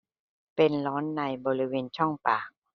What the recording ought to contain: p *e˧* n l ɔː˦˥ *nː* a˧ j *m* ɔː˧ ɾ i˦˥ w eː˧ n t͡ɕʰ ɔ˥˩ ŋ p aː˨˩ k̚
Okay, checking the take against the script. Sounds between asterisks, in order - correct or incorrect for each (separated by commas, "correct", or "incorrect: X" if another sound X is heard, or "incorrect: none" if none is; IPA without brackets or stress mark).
correct, correct, incorrect: b